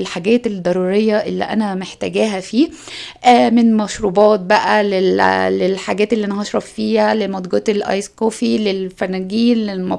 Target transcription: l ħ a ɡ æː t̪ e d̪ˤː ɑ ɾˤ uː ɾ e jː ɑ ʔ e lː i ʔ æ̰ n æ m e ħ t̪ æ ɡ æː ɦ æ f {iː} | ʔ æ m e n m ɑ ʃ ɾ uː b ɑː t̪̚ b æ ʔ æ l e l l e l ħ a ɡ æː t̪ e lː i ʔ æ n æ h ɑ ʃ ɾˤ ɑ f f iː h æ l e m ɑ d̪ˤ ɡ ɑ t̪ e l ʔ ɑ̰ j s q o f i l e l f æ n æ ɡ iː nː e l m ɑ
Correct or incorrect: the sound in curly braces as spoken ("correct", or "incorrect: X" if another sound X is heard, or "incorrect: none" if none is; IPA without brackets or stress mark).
correct